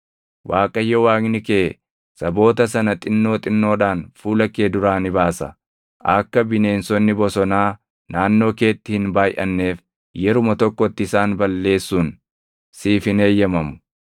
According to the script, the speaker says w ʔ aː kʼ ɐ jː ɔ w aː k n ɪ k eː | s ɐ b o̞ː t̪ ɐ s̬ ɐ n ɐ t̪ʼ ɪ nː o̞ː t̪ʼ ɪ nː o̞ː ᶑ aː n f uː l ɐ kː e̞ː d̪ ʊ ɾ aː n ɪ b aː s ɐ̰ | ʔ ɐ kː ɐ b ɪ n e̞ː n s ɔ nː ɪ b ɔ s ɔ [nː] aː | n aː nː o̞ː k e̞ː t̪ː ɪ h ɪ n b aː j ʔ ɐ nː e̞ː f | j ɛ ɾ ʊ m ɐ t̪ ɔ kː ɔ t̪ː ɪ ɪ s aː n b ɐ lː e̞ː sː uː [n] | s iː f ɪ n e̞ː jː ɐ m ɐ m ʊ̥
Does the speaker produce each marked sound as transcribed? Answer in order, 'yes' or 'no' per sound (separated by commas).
no, yes